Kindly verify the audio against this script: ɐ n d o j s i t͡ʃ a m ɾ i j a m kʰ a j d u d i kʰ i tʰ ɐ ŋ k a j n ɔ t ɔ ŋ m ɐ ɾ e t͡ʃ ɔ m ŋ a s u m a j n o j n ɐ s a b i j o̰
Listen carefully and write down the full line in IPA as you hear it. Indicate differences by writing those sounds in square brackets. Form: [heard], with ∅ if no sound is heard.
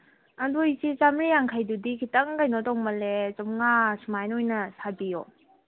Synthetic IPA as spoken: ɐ n d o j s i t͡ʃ a m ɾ i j a [ŋ] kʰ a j d u d i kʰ i [t] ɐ ŋ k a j n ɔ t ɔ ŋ m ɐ [l] e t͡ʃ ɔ m ŋ a s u m a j n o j n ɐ s a b i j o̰